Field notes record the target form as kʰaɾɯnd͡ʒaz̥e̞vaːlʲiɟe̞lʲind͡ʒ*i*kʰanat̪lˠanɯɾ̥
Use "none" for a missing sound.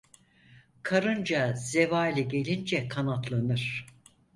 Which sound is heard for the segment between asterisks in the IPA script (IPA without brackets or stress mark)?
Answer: ɛ